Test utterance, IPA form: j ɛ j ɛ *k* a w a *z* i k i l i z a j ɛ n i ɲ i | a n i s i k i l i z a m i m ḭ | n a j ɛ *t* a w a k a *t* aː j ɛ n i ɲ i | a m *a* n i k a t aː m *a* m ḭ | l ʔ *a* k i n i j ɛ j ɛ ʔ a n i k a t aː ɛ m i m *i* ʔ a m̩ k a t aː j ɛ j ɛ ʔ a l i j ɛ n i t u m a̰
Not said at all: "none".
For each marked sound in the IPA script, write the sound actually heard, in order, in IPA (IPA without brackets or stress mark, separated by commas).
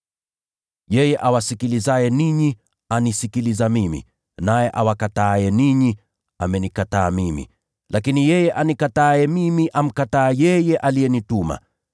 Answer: ʔ, s, ʔ, t, ɛ, i, a, i